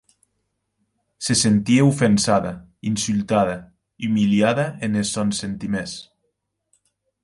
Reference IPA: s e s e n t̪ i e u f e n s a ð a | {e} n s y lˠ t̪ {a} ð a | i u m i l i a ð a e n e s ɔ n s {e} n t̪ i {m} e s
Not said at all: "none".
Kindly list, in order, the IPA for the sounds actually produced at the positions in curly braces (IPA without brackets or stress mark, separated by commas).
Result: i, a, e, m